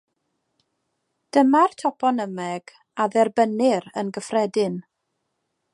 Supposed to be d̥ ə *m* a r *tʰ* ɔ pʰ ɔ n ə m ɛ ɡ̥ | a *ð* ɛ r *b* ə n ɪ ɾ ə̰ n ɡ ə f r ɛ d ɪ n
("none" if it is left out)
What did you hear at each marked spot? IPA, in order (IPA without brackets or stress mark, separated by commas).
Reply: m, tʰ, ð, b